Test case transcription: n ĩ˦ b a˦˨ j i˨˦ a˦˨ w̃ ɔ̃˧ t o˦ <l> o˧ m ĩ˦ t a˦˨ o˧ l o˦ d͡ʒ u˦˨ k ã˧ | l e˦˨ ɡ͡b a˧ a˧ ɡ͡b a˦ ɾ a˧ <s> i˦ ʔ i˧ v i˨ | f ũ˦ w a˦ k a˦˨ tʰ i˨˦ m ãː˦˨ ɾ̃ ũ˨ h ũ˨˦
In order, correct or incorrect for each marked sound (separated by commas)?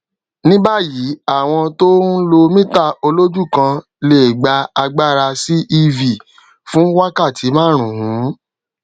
correct, correct